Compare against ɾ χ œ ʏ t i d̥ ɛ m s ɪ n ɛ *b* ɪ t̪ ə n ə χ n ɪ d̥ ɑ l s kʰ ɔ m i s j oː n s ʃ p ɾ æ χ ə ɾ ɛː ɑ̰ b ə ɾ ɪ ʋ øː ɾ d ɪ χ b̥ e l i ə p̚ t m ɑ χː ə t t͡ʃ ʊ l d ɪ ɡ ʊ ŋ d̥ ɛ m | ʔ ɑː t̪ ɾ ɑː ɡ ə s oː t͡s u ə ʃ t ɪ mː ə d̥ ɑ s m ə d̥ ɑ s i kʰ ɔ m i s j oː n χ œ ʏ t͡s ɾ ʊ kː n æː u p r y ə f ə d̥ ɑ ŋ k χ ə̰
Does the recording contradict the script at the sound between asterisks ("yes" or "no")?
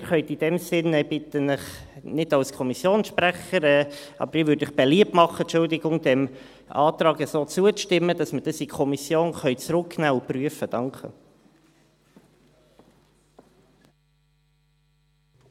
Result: no